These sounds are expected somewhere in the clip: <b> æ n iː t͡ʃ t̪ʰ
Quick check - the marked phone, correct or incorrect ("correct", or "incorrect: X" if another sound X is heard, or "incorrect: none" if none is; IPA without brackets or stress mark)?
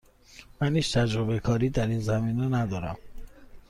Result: incorrect: m